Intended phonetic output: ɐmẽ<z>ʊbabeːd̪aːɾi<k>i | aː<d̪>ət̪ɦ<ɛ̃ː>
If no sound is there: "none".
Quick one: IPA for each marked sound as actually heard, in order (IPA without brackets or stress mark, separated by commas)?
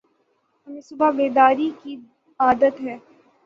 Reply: s, k, d̪, ɛː